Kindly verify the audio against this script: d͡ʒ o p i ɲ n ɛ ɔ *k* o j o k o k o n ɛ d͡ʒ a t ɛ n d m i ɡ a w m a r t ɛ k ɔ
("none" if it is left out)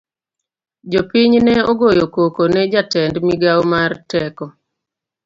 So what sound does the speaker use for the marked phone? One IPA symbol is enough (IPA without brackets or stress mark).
ɡ